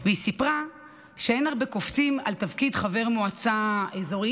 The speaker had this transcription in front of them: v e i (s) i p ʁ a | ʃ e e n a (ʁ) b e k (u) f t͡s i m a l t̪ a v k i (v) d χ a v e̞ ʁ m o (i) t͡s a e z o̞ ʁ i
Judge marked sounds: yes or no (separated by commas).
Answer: yes, yes, no, no, no